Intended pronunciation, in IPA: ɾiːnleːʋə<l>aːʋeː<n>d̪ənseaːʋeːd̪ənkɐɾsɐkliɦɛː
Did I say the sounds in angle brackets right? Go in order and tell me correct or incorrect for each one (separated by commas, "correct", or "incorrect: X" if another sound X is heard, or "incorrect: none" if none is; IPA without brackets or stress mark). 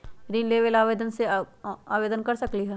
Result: correct, incorrect: none